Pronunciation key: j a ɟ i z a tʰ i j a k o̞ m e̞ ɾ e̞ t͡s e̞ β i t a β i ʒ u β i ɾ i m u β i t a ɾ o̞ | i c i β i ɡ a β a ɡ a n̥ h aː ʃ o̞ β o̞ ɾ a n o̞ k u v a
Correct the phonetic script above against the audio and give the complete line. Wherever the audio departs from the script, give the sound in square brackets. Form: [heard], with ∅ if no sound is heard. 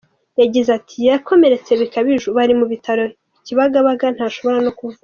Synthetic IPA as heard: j a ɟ i z a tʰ i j a k o̞ m e̞ ɾ e̞ t͡s e̞ β i [k] a β i ʒ u β [a] ɾ i m u β i t a ɾ o̞ | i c i β [a] ɡ a β a ɡ a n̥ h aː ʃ o̞ β o̞ ɾ a n o̞ k u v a